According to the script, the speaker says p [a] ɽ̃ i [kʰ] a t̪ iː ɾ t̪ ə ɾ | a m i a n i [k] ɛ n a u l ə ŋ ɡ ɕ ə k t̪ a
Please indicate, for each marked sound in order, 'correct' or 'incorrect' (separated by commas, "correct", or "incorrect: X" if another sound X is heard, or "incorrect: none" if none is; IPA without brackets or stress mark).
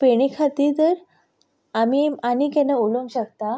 incorrect: e, correct, correct